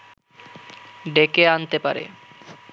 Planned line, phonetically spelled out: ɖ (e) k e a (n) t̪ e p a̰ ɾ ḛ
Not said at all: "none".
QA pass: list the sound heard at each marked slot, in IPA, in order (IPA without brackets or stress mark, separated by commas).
e, n